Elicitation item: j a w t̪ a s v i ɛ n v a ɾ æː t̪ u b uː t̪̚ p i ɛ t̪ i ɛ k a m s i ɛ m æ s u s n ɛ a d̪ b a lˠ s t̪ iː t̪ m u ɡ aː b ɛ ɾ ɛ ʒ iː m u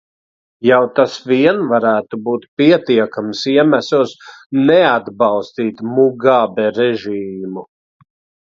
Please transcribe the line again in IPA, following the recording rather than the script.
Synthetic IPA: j a w t̪ a s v i ɛ n v a ɾ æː t̪ u b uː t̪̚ p i ɛ t̪ i ɛ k a m s i ɛ m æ s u s n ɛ a d̪ b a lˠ s t̪ iː t̪ m u ɡ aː b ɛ ɾ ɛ ʒ iː m u